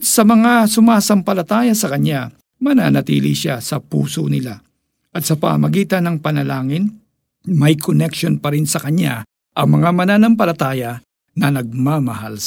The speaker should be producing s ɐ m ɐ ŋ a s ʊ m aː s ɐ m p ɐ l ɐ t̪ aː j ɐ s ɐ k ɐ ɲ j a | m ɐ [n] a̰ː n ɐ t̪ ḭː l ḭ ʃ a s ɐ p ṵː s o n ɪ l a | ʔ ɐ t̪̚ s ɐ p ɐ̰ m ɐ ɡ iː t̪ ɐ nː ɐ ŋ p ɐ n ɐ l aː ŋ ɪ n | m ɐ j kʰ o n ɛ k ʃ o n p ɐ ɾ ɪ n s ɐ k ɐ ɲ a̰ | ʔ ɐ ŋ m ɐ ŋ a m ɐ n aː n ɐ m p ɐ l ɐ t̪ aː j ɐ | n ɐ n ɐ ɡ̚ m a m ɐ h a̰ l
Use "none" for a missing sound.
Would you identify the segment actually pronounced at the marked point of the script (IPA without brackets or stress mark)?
n